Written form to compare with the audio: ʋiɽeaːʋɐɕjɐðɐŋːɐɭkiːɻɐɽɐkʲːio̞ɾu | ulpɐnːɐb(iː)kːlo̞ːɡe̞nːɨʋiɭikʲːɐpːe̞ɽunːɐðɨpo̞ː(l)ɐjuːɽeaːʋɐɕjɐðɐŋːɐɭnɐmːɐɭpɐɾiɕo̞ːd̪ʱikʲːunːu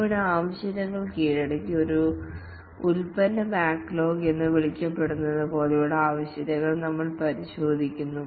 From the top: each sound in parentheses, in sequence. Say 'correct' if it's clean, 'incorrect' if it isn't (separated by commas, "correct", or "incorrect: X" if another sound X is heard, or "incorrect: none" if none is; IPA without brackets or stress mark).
incorrect: aː, correct